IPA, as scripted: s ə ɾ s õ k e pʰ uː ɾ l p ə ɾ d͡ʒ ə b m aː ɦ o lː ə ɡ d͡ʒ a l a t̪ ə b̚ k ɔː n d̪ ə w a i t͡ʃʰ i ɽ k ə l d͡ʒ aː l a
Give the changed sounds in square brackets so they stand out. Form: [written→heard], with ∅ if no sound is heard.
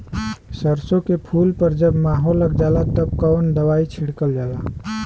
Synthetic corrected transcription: s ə ɾ s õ k e pʰ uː [ɾ→∅] l p ə ɾ d͡ʒ ə b m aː ɦ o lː ə ɡ d͡ʒ a l a t̪ ə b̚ k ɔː n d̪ ə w a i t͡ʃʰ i ɽ k ə l d͡ʒ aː l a